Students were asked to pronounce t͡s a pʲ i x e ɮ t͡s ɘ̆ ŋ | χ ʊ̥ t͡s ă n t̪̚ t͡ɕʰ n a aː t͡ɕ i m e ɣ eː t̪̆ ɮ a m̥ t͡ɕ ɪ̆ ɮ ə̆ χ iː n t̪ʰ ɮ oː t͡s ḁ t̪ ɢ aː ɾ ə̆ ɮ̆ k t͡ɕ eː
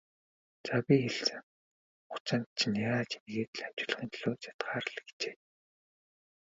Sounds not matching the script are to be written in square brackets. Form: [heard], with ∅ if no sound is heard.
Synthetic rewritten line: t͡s a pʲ i x e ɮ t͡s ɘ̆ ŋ | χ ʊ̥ t͡s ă n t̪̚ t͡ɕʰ n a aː t͡ɕ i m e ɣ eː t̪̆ ɮ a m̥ t͡ɕ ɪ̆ ɮ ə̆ χ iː n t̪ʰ ɮ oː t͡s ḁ t̪ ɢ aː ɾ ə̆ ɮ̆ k t͡ɕ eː